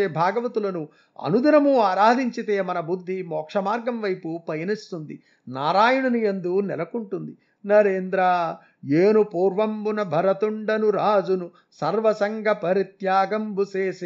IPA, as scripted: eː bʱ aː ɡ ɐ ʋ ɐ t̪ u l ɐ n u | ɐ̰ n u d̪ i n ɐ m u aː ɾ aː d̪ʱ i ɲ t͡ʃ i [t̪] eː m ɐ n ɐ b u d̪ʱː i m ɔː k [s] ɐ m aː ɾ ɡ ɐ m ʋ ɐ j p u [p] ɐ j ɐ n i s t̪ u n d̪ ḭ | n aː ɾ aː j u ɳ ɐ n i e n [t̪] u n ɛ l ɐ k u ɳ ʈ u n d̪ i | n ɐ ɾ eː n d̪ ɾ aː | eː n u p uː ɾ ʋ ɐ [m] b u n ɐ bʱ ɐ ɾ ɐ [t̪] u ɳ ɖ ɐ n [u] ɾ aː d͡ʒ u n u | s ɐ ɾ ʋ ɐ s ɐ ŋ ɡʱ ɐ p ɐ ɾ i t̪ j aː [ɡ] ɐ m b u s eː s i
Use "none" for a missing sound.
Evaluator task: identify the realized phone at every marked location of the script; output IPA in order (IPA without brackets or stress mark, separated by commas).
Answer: t̪, ʂ, p, d̪, m, t̪, u, ɡ